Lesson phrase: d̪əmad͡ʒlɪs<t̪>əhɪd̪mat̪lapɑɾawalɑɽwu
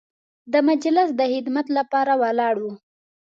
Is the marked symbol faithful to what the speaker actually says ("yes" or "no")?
no